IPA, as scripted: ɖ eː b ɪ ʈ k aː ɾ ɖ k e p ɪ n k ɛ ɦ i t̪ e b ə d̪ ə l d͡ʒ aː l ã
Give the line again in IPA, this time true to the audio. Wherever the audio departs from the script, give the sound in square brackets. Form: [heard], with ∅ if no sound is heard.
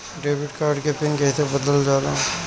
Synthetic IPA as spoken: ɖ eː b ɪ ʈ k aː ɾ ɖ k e p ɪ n k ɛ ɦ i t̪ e b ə d̪ ə l d͡ʒ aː l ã